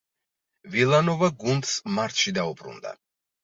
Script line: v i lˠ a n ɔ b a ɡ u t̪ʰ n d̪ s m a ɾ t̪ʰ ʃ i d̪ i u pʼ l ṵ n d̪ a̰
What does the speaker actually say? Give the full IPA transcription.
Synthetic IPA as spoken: v i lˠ a n ɔ v a ɡ u n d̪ s m a ɾ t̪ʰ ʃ i d̪ a u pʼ ɾ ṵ n d̪ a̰